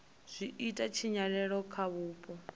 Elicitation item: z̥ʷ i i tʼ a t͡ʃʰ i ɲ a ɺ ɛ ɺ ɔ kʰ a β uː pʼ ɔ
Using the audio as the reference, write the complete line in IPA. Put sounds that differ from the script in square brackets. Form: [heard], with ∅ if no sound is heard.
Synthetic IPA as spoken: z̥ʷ i i tʼ a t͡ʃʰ i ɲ a ɺ ɛ ɺ ɔ kʰ a β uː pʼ ɔ